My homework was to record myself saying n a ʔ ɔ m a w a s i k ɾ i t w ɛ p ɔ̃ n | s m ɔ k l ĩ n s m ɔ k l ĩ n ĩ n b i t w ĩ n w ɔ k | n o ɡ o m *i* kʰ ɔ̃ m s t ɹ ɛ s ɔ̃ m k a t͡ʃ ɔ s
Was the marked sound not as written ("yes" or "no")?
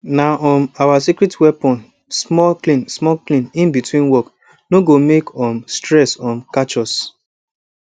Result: yes